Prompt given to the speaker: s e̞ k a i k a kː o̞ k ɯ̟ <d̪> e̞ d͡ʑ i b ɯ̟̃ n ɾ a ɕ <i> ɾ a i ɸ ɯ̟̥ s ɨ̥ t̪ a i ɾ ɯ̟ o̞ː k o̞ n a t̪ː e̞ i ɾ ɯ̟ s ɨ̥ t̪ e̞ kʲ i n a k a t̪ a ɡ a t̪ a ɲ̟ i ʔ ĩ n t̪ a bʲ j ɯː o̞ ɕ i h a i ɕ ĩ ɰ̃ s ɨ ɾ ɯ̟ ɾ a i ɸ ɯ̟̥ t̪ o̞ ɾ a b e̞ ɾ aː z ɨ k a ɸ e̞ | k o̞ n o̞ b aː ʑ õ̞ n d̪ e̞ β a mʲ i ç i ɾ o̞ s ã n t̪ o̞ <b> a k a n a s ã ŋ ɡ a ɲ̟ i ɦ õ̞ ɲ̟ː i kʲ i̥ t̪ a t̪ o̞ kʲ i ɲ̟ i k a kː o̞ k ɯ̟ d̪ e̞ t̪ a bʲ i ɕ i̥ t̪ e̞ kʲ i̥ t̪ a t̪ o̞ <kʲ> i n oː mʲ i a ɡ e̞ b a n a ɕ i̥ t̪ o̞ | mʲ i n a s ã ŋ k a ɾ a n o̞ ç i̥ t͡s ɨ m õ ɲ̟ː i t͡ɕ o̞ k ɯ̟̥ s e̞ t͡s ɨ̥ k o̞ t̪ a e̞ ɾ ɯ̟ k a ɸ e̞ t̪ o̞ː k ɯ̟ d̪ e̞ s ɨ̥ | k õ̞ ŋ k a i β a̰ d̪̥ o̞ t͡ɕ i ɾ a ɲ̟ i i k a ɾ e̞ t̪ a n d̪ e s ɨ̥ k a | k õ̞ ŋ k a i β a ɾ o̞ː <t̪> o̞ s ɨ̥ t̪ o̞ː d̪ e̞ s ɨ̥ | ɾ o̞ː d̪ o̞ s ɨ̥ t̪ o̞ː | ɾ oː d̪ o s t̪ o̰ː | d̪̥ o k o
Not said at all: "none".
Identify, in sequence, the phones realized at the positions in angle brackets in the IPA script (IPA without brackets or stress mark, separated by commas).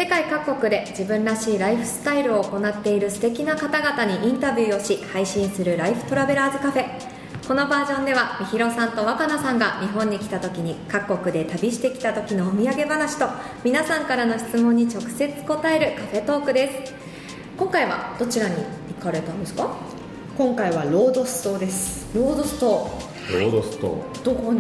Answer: d̪, iː, β, kʲ, d̪